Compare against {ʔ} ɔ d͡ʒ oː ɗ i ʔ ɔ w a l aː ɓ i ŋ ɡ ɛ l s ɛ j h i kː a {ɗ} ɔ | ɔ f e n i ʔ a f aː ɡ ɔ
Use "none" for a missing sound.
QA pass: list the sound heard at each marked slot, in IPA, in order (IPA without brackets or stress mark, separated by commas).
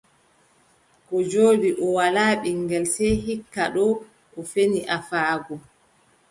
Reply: k, ɗ